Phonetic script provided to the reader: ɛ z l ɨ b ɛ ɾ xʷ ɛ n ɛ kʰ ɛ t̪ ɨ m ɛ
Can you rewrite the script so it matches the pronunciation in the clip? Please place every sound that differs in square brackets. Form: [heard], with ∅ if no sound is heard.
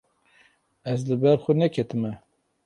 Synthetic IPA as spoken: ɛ z l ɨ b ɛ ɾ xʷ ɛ n ɛ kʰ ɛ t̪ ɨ m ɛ